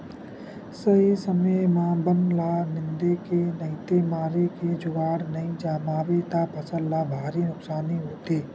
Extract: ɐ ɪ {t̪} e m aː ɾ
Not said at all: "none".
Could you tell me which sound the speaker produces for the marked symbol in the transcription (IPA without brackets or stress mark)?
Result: t̪